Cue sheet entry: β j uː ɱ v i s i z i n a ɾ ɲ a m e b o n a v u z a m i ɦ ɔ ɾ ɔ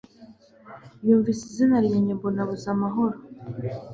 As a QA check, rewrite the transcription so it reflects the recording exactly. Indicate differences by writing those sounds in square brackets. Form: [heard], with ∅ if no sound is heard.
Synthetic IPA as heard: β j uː ɱ v i s i z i n a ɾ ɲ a [ɲ] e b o n a [β] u z a m [a] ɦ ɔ ɾ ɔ